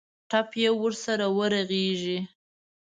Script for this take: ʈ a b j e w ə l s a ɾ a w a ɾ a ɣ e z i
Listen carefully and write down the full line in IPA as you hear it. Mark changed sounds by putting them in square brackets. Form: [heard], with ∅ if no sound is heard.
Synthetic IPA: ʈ a [p] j e w ə [ɾ] s a ɾ a w [ə] ɾ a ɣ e [ʒ] i